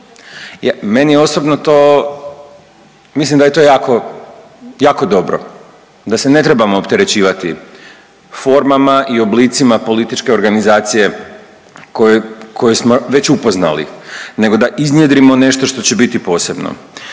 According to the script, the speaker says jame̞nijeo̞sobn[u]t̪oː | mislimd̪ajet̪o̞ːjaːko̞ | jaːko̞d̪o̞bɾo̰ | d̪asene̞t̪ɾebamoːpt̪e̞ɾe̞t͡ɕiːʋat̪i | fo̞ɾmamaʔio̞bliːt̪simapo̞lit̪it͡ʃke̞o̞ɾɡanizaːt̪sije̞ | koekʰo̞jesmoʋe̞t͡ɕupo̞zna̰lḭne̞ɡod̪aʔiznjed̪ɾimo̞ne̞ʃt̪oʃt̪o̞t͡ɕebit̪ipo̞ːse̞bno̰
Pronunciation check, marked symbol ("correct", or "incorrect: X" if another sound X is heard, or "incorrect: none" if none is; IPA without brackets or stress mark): incorrect: o